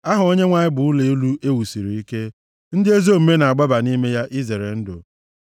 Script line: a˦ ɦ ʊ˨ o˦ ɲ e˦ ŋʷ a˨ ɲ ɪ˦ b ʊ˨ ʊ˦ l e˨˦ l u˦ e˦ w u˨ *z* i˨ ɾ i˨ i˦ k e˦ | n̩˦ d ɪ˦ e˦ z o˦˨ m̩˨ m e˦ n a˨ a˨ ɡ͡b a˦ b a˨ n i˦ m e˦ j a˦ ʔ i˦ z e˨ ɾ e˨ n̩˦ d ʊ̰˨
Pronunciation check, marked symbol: incorrect: s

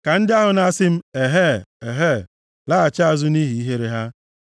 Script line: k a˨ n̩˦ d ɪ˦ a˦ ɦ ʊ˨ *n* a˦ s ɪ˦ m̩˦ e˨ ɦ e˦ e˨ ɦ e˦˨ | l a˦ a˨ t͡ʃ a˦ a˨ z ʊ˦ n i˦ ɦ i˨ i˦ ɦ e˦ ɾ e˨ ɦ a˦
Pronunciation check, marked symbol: correct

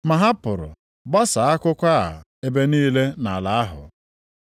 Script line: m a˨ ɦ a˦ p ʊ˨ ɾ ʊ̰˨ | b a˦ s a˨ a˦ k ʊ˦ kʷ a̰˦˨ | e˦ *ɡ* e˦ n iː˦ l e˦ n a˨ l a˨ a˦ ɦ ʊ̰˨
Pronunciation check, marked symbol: incorrect: b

